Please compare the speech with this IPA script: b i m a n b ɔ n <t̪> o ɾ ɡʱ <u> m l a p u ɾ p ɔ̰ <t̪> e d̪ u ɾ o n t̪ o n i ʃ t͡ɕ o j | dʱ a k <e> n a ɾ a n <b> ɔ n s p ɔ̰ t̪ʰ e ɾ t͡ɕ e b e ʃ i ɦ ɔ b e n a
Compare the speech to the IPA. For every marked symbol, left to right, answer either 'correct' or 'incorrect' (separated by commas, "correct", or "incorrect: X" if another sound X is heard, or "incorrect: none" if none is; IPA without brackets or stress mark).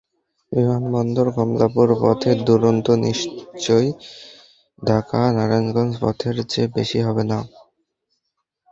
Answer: incorrect: d̪, incorrect: ɔ, incorrect: t̪ʰ, incorrect: a, incorrect: ɡ